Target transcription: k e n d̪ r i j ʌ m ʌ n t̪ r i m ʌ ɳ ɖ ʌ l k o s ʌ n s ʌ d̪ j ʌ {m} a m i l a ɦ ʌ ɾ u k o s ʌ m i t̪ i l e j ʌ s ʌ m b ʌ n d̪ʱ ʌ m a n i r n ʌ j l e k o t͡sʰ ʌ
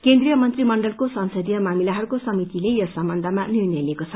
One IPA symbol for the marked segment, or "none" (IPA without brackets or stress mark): m